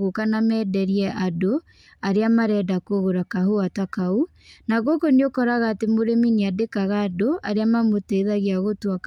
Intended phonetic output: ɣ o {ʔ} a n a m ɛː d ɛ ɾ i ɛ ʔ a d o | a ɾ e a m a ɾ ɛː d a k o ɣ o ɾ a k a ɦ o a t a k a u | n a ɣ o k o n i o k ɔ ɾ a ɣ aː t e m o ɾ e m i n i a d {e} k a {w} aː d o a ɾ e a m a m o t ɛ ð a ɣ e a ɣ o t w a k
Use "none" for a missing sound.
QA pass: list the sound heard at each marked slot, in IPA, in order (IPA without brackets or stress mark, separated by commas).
k, e, ɣ